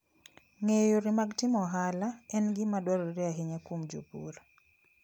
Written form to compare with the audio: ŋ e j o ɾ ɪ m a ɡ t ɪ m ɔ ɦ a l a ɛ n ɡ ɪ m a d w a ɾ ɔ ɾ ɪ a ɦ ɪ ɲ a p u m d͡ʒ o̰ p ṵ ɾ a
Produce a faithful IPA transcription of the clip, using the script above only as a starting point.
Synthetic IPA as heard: ŋ e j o ɾ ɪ m a ɡ t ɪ m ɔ ɦ a l a ɛ n ɡ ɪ m a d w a ɾ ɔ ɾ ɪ a ɦ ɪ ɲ a k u m d͡ʒ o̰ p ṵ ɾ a